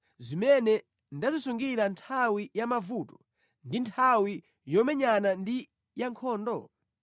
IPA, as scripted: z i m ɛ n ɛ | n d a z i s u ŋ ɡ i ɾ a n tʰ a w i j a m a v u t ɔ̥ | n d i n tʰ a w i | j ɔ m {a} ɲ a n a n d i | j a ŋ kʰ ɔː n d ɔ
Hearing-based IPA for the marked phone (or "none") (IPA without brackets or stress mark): ɛ